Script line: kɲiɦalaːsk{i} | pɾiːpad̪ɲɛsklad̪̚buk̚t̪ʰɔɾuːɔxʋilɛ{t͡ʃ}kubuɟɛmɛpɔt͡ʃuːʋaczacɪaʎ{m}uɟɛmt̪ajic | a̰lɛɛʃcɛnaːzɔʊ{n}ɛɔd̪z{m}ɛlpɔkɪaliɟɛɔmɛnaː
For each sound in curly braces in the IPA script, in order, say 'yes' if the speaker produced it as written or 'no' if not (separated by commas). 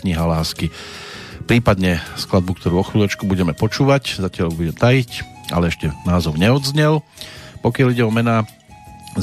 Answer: yes, yes, no, no, no